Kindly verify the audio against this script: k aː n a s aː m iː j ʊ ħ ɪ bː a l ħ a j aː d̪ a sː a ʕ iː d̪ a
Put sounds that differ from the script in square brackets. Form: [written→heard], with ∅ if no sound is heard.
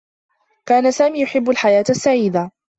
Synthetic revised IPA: k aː n a s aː m iː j ʊ ħ ɪ bː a l ħ a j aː [d̪→t̪] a sː a ʕ iː d̪ a

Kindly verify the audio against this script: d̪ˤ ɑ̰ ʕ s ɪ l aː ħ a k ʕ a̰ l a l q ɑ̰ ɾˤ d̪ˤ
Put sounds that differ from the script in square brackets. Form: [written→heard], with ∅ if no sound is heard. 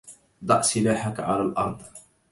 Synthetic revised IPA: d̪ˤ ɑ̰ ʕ s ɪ l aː ħ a k ʕ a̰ l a l [q→ʔ] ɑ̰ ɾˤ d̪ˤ

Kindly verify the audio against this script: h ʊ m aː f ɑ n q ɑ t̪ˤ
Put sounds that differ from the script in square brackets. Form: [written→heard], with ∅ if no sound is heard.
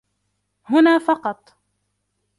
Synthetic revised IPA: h ʊ [m→n] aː f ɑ [n→∅] q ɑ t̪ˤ

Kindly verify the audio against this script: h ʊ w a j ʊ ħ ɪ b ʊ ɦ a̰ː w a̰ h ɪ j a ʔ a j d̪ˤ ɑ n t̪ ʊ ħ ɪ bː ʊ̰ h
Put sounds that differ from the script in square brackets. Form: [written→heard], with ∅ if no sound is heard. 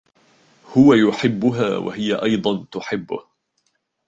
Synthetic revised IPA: h ʊ w a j ʊ ħ ɪ [b→bː] ʊ ɦ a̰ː w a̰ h ɪ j a ʔ [a→ɑ] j d̪ˤ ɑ n t̪ ʊ ħ ɪ bː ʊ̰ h

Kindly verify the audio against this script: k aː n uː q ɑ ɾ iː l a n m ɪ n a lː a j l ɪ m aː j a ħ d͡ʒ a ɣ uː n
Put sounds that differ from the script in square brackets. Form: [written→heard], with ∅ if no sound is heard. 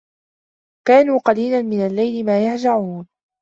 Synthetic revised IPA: k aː n uː q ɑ [ɾ→l] iː l a n m ɪ n a lː a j l ɪ m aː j a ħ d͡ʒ a [ɣ→ʕ] uː n

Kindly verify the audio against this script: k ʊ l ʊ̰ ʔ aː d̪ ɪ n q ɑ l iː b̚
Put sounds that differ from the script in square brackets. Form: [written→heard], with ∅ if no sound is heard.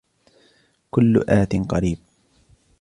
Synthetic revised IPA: k ʊ [l→lː] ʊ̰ ʔ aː [d̪→t̪] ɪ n q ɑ [l→ɾ] iː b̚

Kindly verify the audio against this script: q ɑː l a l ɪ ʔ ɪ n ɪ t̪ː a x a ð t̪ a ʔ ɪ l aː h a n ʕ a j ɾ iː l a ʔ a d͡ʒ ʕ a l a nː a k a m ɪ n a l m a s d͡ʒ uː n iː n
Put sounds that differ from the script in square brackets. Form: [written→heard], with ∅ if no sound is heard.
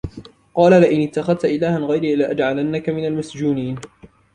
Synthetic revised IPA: q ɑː l a l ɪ ʔ ɪ n ɪ t̪ː a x a ð t̪ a ʔ ɪ l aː h a n [ʕ→ɣ] a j ɾ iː l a ʔ a d͡ʒ ʕ a l a nː a k a m ɪ n a l m a s d͡ʒ uː n iː n

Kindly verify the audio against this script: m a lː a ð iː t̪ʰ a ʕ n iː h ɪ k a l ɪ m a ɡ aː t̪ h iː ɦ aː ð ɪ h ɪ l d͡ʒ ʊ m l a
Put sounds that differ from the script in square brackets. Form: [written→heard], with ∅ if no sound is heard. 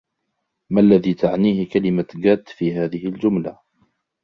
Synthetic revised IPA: m a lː a ð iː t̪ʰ a ʕ n iː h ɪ k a l ɪ m a ɡ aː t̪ [h→f] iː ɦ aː ð ɪ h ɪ l d͡ʒ ʊ m l a

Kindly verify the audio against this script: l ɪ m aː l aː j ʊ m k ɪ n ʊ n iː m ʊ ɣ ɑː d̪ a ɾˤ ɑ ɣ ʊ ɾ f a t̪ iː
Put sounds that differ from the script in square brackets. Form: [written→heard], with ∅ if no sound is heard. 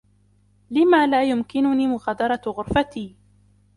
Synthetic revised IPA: l ɪ m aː l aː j ʊ m k ɪ n ʊ n iː m ʊ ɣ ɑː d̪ [a→ɑ] ɾˤ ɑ ɣ ʊ ɾ f a t̪ iː

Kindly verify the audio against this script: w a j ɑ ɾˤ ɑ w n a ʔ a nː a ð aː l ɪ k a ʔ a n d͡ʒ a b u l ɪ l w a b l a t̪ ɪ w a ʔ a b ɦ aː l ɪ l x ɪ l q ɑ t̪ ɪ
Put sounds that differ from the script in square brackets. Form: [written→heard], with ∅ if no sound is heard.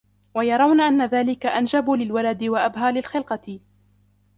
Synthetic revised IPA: w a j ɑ ɾˤ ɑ w n a ʔ a nː a ð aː l ɪ k a ʔ a n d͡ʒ a b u l ɪ l w a [b→∅] l a [t̪→d̪] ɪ w a ʔ a b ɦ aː l ɪ l x ɪ l q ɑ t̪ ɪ

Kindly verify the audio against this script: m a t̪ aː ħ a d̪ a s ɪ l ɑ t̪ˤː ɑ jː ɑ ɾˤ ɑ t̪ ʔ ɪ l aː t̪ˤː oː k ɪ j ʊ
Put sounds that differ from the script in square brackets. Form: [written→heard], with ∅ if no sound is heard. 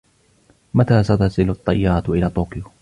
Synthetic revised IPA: m a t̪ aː [ħ→s] a [d̪→t̪] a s ɪ l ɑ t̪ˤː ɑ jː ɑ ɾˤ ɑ t̪ ʔ ɪ l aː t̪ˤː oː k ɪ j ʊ

